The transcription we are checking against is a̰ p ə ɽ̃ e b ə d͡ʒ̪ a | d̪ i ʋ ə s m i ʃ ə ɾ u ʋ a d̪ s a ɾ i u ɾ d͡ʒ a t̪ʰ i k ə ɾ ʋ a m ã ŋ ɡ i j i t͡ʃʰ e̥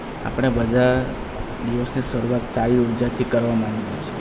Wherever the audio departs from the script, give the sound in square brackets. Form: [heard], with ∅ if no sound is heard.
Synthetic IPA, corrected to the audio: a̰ p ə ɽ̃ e b ə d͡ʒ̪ a | d̪ i ʋ ə s [n] i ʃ ə ɾ u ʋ a [t̪] s a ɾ i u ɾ d͡ʒ a t̪ʰ i k ə ɾ ʋ a m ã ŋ ɡ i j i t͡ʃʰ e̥